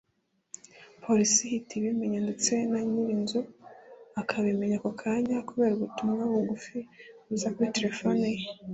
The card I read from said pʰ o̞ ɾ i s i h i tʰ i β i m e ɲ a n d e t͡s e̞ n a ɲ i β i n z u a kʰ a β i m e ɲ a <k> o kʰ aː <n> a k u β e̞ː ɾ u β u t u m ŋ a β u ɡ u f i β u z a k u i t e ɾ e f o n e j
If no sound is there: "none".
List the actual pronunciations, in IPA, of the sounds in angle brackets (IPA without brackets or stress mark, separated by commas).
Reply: k, ɲ